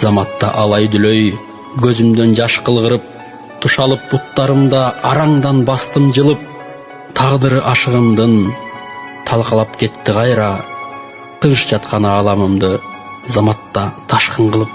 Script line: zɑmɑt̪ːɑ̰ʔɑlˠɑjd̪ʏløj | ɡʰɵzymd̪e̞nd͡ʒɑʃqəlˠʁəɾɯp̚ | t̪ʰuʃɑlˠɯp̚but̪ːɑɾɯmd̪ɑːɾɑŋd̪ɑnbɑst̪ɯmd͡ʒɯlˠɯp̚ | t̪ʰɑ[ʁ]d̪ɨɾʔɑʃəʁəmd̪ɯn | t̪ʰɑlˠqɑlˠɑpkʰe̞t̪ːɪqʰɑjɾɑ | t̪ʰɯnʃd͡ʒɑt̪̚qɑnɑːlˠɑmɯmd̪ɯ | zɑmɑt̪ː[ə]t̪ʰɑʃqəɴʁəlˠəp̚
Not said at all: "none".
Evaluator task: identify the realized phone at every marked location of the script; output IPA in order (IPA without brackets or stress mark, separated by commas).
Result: ʁ, ɑ